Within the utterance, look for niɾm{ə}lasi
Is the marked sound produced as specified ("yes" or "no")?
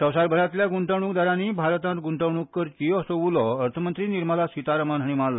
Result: no